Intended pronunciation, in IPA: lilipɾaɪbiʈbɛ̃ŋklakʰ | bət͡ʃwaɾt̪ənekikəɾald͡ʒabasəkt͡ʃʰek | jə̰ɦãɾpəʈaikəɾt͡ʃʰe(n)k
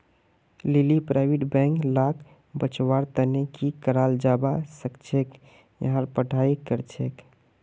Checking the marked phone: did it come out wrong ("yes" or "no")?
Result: yes